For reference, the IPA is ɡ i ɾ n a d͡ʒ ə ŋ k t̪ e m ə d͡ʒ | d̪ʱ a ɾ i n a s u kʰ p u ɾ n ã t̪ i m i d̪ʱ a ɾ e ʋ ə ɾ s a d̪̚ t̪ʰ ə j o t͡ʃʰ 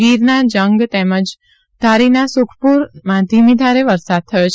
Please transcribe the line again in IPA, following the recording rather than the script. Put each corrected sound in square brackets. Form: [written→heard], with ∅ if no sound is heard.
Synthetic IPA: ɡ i ɾ n a d͡ʒ ə ŋ [k→ɡ] t̪ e m ə d͡ʒ | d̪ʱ a ɾ i n a s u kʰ p u ɾ [n→m] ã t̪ i m i d̪ʱ a ɾ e ʋ ə ɾ s a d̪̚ t̪ʰ ə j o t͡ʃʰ